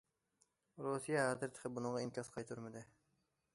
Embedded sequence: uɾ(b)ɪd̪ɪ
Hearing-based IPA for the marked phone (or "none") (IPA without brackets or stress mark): m